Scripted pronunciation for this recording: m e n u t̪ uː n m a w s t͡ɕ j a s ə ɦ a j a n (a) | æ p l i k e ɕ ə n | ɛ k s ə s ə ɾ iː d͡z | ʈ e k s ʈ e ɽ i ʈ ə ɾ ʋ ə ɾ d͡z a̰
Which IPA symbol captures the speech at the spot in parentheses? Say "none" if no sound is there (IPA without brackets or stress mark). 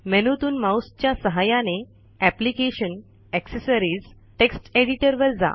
e